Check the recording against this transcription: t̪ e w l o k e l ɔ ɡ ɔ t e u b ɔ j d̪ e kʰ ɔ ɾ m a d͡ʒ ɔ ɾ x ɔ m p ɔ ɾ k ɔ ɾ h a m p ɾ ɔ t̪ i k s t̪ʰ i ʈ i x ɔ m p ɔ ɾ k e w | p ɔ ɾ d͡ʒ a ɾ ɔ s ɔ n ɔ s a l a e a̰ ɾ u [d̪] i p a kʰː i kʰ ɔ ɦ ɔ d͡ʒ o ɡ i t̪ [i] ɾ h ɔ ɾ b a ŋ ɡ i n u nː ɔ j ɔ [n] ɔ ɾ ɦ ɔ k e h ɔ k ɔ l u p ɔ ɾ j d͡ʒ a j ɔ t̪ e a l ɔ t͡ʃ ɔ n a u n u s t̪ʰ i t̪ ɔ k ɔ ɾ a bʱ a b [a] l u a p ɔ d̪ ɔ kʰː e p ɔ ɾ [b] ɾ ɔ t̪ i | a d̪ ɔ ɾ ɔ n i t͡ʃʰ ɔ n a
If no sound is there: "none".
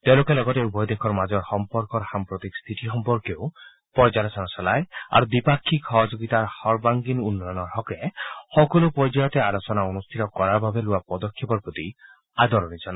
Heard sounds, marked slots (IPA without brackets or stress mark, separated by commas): d̪, a, n, e, p